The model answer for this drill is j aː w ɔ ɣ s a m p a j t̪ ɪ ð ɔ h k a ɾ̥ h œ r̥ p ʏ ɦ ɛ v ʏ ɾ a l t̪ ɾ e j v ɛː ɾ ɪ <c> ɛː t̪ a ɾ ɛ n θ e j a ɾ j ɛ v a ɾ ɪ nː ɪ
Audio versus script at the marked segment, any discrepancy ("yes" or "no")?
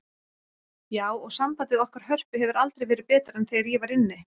yes